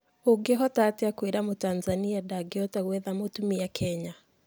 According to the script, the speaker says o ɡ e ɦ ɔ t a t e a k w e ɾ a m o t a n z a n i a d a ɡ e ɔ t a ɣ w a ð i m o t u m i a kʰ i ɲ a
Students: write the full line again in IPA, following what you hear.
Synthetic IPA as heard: o ɡ e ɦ ɔ t a t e a k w e ɾ a m o t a n z a n i a d a ɡ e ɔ t a ɣ w ɛ ð a m o t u m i a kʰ ɛ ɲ a